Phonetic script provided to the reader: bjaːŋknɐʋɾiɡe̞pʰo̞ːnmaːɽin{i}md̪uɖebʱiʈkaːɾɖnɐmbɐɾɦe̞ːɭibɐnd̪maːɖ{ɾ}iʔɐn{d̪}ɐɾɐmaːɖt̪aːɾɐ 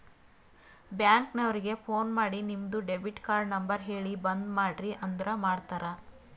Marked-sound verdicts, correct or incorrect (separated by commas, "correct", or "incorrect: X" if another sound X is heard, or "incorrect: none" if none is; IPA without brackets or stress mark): correct, correct, correct